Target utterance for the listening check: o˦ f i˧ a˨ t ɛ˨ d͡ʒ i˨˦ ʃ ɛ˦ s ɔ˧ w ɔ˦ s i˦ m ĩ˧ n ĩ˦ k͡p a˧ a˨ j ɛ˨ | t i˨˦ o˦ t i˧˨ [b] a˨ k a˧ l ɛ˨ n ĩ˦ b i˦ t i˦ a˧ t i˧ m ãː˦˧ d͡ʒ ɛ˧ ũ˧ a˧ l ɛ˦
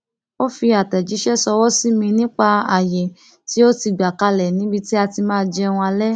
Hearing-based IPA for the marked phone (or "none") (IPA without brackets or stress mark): ɡ͡b